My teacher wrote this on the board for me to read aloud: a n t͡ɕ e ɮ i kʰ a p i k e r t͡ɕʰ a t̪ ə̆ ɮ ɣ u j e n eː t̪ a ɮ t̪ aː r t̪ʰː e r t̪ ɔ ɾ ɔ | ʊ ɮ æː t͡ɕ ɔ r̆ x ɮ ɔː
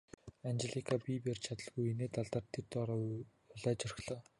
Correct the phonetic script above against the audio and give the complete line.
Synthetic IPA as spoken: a n t͡ɕ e ɮ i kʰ a p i p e r t͡ɕʰ a t̪ ə̆ ɮ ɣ u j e n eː t̪ a ɮ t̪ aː r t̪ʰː e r t̪ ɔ ɾ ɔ | ʊ ɮ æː t͡ɕ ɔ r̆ x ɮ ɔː

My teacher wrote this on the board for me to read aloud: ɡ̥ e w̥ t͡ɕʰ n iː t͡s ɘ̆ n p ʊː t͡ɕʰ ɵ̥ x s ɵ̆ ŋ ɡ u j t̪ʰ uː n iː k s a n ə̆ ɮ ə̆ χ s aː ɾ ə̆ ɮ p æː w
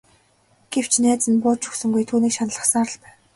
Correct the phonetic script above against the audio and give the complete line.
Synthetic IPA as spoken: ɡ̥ e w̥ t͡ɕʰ n æː t͡s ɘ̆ n p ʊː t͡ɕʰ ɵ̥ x s ɵ̆ ŋ ɡ u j t̪ʰ uː n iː k ʃ a n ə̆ ɮ ə̆ χ s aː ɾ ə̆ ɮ p æː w

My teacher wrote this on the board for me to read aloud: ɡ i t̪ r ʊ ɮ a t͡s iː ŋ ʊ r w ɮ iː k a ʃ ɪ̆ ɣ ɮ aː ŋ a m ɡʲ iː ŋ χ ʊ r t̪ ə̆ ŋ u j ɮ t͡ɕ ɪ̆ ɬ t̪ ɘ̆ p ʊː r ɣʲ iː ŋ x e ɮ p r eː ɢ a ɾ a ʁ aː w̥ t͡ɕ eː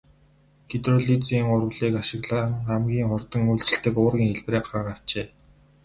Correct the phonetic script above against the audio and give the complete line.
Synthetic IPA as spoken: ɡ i t̪ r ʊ ɮ i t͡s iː ŋ ʊ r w ɮ iː k a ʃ ɪ̆ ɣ ɮ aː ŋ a m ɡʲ iː ŋ χ ʊ r t̪ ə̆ ŋ u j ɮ t͡ɕ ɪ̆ ɬ t̪ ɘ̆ k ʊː r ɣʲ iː ŋ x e ɮ p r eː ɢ a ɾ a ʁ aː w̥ t͡ɕ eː

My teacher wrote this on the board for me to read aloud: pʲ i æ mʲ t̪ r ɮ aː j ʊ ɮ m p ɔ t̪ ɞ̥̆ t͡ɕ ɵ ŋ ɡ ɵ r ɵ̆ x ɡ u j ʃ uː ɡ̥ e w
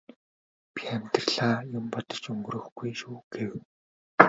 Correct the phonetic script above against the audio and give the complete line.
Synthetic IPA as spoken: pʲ i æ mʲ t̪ r ɮ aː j ʊ m p ɔ t̪ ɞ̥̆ t͡ɕ ɵ ŋ ɡ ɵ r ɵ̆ x ɡ u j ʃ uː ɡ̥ e w

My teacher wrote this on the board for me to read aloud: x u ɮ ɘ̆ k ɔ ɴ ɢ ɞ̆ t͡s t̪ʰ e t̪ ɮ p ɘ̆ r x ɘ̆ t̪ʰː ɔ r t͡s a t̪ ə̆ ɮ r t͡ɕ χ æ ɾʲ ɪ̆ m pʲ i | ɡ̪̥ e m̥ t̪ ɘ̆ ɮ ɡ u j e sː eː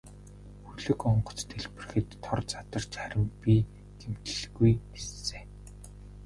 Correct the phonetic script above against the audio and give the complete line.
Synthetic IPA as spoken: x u ɮ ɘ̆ k ɔ ɴ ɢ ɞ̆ t͡s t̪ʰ e ɮ p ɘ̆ r x ɘ̆ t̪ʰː ɔ r t͡s a t̪ ə̆ r t͡ɕ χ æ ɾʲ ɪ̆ m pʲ i | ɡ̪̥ e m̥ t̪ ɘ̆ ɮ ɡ u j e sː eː

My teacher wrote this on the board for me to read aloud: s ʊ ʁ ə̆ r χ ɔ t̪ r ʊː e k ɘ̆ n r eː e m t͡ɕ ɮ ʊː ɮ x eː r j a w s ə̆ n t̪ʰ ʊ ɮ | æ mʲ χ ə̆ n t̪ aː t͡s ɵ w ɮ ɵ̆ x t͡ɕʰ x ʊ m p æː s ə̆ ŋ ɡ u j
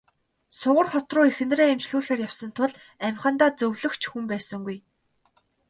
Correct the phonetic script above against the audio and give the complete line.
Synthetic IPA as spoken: s ʊ ʁ ə̆ r χ ɔ t̪ r ʊː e x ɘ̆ n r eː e m t͡ɕ ɮ uː ɮ x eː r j a w s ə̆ n t̪ʰ ʊ ɮ | æ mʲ χ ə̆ n t̪ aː t͡s ɵ w ɮ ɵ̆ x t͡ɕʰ x u m p æː s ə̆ ŋ ɡ u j

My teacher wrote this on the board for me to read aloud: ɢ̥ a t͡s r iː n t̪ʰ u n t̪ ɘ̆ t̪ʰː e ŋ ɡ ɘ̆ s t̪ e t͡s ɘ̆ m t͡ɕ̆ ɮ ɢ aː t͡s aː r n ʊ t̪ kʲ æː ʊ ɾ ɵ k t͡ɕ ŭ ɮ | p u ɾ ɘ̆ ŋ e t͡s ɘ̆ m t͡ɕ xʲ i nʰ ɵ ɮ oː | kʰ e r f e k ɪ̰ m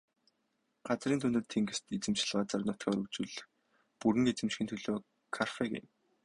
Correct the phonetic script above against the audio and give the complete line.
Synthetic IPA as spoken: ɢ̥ a t͡s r iː n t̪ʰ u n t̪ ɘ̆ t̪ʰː e ŋ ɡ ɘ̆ s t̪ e t͡s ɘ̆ m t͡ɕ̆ ɮ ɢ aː t͡s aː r n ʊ t̪ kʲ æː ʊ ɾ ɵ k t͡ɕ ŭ ɮ | p u ɾ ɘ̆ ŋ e t͡s ɘ̆ m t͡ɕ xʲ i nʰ ɵ ɮ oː | kʰ a r f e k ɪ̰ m

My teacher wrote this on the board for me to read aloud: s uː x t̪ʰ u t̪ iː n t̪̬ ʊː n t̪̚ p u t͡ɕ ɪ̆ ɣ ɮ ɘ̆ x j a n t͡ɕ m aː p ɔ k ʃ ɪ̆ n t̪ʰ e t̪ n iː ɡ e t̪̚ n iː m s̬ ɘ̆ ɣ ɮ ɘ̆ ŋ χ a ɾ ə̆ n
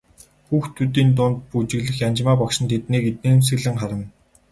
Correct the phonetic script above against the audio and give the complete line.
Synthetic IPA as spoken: x uː x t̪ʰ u t̪ iː n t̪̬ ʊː n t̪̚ p u t͡ɕ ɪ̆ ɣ ɮ ɘ̆ x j a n t͡ɕ m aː p ɔ k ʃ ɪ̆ n t̪ʰ e t̪ n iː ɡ e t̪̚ n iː m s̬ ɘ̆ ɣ ɮ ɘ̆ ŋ χ a ɾ ə̆ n

